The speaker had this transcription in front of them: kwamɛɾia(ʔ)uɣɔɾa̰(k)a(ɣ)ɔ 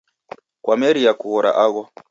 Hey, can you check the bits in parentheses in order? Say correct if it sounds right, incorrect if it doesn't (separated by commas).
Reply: incorrect, incorrect, correct